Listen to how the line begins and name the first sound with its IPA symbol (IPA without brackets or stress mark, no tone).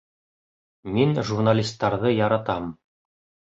m